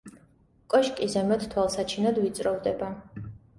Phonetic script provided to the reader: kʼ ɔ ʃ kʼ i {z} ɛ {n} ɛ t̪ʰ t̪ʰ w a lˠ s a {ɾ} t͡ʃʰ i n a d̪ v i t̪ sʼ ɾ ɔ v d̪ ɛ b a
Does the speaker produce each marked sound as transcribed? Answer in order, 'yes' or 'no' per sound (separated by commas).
yes, no, no